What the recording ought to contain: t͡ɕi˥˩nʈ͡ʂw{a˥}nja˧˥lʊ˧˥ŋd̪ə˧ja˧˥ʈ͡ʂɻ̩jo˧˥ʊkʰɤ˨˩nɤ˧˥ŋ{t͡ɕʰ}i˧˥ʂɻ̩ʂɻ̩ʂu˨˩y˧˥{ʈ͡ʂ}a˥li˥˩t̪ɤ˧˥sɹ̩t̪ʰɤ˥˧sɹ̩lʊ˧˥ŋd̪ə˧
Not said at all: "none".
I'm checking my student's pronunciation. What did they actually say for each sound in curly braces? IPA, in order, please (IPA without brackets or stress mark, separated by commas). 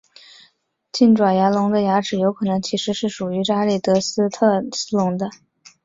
a˨˩, t͡ɕʰ, ʈ͡ʂ